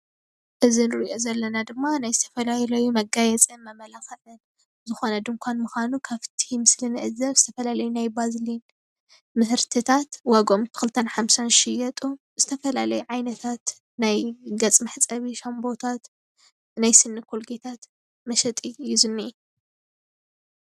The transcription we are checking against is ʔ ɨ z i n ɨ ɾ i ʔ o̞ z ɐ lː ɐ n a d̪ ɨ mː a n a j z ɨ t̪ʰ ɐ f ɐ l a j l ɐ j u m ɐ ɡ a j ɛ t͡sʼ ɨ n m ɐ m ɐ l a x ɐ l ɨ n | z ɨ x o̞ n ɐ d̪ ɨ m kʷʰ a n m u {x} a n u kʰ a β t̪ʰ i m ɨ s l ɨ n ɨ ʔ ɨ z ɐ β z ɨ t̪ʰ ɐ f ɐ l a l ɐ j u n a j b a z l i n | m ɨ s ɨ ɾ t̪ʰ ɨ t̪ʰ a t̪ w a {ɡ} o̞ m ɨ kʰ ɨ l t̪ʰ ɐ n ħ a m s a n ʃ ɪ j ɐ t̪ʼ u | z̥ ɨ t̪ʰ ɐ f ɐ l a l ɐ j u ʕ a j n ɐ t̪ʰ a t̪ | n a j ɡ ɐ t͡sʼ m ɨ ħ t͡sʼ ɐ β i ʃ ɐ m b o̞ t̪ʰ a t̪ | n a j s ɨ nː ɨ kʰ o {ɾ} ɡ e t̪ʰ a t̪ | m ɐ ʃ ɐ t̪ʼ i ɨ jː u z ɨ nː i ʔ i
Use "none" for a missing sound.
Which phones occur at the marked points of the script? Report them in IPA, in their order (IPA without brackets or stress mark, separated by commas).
x, ɡ, l